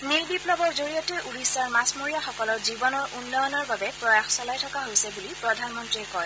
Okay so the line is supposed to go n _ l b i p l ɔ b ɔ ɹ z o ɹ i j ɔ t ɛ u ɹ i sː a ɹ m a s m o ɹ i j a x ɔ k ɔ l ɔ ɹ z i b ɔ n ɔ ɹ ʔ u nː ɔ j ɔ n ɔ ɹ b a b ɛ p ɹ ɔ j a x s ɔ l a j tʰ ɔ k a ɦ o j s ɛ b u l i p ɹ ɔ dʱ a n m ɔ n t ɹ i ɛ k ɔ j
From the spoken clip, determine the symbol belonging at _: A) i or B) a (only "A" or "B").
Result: A